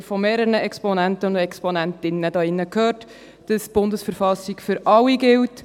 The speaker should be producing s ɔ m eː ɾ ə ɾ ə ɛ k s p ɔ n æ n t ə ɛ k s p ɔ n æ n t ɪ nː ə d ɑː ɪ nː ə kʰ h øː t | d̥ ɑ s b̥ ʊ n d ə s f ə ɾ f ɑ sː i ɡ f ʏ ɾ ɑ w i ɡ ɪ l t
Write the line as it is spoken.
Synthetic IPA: f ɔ m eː ɾ ə ɾ ə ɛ k s p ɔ n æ n t ə ɛ k s p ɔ n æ n t ɪ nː ə d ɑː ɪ nː ə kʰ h øː t | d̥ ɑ s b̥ ʊ n d ə s f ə ɾ f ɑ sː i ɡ f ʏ ɾ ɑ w i ɡ ɪ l t